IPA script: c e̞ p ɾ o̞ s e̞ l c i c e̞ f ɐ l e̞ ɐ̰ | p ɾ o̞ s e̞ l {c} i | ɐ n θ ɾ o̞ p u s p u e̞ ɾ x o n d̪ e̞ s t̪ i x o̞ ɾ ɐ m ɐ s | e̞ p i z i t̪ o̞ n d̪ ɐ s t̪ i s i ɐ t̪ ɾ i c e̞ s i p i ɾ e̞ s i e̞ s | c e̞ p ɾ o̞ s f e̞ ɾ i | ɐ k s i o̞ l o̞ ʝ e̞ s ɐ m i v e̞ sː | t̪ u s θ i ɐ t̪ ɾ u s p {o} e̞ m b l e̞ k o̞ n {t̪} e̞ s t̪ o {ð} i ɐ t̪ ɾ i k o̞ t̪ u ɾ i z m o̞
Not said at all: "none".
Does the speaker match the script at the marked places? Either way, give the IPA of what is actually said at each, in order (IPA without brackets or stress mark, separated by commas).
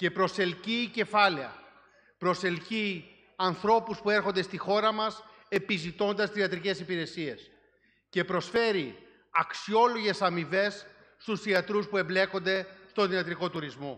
c, u, d̪, ð